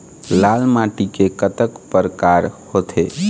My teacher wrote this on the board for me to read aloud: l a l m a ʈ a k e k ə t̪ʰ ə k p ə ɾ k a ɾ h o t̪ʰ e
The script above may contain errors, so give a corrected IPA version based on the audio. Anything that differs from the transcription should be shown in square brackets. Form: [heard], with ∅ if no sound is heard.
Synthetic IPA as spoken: l a l m a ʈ [i] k e k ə [t̪] ə k p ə ɾ k a ɾ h o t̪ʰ e